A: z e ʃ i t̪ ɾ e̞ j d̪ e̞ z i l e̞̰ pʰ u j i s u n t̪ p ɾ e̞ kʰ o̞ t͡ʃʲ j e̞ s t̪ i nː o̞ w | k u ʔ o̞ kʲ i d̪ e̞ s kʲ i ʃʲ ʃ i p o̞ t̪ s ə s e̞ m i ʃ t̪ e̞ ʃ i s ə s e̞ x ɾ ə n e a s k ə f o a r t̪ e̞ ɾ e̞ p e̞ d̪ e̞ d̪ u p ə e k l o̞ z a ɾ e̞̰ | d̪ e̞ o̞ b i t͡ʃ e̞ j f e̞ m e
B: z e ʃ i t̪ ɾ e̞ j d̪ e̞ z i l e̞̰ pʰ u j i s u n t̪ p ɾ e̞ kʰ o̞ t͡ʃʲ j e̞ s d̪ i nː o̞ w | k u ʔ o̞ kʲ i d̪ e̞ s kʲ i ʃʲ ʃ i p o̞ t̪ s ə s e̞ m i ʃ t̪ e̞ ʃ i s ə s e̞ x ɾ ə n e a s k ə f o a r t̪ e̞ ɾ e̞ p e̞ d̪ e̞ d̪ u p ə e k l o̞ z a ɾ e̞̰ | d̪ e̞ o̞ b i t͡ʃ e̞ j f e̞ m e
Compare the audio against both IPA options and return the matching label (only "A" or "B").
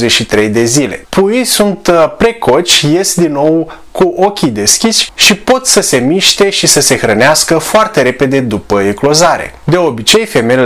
B